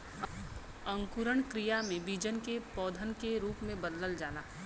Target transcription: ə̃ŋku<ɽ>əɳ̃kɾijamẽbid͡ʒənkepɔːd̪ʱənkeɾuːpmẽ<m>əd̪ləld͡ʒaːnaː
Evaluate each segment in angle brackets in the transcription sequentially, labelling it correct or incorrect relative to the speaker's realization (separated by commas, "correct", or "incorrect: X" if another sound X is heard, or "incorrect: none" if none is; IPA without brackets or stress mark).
incorrect: ɾ, incorrect: b